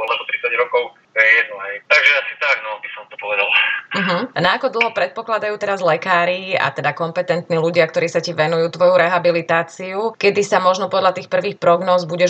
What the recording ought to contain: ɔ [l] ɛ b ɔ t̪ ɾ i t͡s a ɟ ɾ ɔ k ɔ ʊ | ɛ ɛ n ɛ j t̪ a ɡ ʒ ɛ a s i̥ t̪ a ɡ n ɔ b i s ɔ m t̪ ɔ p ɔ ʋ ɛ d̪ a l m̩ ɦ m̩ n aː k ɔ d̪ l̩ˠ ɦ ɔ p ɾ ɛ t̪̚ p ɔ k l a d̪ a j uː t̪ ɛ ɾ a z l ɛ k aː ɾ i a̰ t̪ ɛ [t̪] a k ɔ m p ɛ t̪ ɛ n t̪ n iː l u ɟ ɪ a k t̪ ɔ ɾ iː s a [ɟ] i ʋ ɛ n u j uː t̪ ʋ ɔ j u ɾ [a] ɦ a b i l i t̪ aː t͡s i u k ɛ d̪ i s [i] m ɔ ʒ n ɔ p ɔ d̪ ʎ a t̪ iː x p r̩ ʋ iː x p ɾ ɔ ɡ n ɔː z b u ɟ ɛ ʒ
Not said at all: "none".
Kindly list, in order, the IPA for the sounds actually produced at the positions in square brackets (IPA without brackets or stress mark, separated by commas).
l, d̪, c, ɛ, a